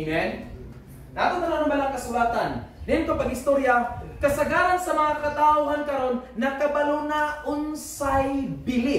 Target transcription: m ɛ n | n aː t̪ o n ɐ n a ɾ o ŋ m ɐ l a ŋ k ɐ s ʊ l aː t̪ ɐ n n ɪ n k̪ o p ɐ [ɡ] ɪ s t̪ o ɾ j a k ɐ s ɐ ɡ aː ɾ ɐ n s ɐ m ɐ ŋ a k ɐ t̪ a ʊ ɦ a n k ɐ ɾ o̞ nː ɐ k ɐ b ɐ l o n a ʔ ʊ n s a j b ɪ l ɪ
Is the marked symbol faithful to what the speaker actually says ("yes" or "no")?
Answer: yes